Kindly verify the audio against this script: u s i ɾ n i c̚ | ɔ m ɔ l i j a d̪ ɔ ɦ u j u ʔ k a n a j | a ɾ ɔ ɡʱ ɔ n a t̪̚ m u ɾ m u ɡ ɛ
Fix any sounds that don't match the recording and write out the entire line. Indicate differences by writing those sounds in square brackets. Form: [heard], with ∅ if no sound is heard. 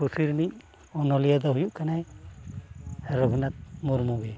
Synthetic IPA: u s i ɾ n i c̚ | ɔ [n] ɔ l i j a d̪ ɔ ɦ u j u ʔ k a n a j | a ɾ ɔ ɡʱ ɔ n a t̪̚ m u ɾ m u ɡ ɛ